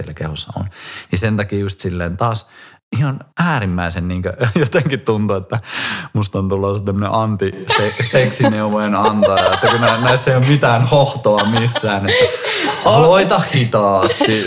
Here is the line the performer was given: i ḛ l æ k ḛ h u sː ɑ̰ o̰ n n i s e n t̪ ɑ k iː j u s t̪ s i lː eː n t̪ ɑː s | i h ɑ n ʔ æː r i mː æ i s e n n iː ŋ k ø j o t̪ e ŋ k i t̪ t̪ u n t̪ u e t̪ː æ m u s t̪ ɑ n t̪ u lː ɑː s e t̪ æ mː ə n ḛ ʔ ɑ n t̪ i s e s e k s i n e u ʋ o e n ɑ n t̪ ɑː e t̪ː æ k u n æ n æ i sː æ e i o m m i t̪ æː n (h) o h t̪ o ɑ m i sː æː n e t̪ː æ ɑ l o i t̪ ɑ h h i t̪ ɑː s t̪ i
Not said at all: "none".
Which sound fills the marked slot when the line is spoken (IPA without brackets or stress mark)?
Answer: h